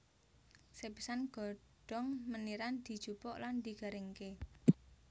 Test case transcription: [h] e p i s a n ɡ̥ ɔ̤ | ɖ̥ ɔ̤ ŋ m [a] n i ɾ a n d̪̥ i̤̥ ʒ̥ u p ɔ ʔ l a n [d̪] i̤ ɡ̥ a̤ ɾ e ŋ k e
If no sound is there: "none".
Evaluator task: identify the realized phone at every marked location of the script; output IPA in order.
s, ə, d̪

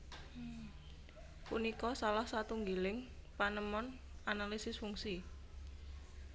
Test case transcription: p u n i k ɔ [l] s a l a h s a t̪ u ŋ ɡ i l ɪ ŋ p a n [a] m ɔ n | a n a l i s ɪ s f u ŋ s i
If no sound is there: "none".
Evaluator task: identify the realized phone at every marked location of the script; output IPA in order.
none, ə

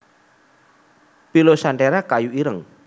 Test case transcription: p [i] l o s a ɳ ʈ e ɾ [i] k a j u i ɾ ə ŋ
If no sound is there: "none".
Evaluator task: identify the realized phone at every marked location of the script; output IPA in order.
i, a

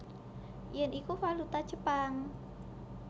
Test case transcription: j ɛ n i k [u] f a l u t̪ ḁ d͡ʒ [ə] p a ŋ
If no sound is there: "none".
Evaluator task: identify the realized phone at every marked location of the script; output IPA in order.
u, ə

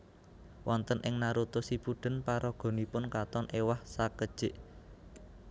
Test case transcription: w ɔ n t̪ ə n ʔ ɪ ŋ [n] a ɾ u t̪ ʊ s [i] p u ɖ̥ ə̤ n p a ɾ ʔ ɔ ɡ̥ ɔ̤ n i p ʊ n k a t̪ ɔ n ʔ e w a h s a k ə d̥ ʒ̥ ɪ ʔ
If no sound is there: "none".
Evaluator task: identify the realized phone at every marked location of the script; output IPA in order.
n, i

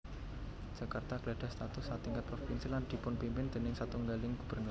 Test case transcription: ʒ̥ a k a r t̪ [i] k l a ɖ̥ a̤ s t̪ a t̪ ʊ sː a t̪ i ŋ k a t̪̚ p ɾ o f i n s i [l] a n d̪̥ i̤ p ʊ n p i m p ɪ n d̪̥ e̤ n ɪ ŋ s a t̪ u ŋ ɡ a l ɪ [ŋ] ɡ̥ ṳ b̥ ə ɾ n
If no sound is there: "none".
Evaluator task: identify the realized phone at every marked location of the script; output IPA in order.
a, l, ŋ

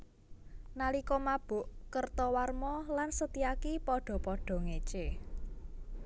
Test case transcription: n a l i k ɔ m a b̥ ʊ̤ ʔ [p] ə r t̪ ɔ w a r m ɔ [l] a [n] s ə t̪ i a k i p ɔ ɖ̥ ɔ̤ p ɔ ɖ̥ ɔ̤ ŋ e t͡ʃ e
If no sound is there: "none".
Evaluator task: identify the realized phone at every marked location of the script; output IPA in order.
k, l, n

